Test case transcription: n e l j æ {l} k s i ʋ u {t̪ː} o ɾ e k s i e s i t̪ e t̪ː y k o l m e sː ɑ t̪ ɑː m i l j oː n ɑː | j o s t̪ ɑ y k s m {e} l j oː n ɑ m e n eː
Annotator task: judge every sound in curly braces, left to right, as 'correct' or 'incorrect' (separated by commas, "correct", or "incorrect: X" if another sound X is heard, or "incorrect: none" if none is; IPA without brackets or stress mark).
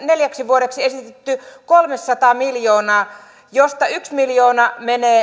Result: incorrect: none, incorrect: none, incorrect: i